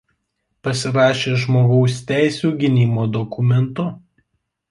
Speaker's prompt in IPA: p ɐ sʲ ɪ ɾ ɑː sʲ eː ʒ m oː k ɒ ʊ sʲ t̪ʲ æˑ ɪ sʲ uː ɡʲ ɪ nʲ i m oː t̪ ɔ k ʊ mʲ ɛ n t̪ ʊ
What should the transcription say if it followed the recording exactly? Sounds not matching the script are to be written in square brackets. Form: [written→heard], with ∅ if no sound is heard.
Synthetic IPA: p ɐ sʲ ɪ ɾ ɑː [sʲ→ʃʲ] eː ʒ m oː [k→ɡ] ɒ ʊ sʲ t̪ʲ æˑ ɪ sʲ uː ɡʲ ɪ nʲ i m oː [t̪→d̪] ɔ k ʊ mʲ ɛ n t̪ ʊ